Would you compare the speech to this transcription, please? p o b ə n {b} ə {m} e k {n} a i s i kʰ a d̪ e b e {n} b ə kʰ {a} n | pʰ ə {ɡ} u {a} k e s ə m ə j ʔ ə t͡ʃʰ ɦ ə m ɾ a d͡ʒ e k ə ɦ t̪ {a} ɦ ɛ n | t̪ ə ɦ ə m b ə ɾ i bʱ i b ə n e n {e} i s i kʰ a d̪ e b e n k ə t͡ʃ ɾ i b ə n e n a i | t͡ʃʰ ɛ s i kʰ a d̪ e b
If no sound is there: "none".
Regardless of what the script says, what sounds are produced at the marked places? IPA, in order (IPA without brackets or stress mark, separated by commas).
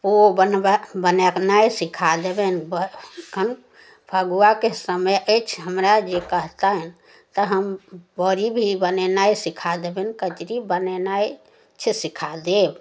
b, n, n, n, ə, ɡ, a, a, a